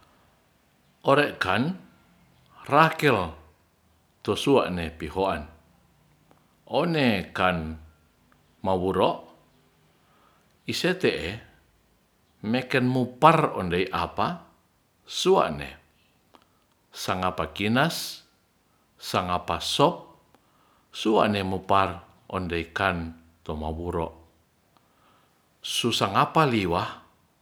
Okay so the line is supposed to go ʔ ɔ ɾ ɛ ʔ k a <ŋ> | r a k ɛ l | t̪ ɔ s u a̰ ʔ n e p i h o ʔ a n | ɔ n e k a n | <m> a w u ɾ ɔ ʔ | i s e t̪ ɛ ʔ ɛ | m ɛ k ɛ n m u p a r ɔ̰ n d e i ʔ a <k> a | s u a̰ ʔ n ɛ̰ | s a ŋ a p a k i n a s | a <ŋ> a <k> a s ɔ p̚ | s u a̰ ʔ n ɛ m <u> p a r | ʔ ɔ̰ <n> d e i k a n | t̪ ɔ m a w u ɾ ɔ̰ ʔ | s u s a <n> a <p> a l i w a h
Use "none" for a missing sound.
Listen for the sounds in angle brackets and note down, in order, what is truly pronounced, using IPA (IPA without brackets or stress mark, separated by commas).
n, m, p, ŋ, p, u, n, ŋ, p